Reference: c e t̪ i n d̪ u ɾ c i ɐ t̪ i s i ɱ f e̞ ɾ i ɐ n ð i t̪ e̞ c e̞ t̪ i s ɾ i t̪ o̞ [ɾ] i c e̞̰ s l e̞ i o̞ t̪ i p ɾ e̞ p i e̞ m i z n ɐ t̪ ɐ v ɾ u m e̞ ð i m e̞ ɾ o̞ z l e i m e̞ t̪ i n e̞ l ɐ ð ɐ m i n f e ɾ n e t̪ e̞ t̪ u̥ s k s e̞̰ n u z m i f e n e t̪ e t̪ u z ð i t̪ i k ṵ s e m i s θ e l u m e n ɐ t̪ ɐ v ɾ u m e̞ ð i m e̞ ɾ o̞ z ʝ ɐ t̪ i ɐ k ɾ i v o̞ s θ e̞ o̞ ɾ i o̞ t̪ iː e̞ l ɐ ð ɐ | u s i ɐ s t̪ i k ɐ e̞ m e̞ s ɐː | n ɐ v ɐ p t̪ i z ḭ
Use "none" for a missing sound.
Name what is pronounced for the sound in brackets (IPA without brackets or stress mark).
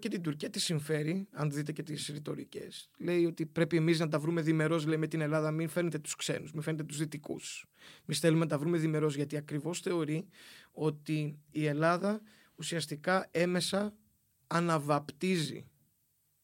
ɾ